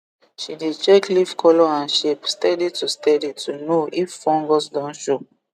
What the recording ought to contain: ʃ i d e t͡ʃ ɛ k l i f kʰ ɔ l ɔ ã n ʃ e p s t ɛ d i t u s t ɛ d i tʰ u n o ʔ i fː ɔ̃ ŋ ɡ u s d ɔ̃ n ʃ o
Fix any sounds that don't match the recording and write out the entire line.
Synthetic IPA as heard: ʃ i d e t͡ʃ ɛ k l i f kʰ ɔ l ɔ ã n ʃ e p s t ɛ d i t u s t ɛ d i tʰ u n o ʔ i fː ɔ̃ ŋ ɡ ɔ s d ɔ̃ n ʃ o